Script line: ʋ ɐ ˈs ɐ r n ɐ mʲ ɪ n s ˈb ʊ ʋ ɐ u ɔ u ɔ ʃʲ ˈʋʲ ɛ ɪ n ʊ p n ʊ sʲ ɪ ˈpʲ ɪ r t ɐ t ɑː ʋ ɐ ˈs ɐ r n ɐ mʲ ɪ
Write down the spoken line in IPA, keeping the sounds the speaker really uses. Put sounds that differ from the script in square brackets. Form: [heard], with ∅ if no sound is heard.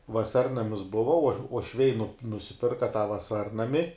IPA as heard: ʋ ɐ ˈs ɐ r n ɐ mʲ ɪ [∅] s ˈb ʊ ʋ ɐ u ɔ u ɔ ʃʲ ˈʋʲ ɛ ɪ n ʊ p n ʊ sʲ ɪ ˈpʲ ɪ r [k] ɐ t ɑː ʋ ɐ ˈs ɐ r n ɐ mʲ ɪ